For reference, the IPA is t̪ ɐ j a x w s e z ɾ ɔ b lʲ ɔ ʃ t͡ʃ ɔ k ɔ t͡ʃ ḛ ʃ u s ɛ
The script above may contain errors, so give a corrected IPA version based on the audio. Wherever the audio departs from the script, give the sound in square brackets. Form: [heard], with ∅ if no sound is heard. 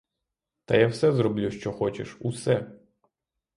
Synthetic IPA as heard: t̪ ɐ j a [∅] w s [ɛ] z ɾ ɔ b lʲ [u] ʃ t͡ʃ ɔ [x] ɔ t͡ʃ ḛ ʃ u s ɛ